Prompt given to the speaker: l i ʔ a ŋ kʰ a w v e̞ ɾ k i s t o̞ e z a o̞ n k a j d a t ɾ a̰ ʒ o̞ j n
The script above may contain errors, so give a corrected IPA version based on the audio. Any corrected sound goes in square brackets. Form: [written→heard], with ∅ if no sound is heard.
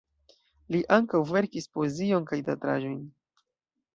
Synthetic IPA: l i ʔ a ŋ [kʰ→k] a w v e̞ ɾ k i s [t→p] o̞ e z [a→i] o̞ n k a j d a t ɾ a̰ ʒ o̞ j n